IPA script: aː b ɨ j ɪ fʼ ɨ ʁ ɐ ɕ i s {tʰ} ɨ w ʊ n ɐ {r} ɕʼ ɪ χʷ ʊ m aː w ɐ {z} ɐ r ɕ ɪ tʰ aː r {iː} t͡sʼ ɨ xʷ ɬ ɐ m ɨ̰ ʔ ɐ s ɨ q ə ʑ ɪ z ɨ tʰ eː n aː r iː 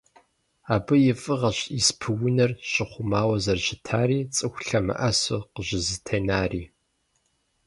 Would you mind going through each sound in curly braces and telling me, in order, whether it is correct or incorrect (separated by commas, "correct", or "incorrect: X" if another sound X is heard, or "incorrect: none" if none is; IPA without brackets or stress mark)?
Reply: incorrect: pʰ, correct, correct, correct